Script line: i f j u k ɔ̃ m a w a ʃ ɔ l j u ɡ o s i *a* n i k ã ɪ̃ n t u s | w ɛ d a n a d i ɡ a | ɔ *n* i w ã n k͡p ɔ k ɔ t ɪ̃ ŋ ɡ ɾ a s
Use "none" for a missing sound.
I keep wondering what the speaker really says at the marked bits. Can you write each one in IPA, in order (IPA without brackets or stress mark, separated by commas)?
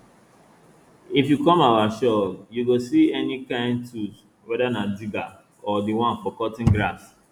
ɛ, d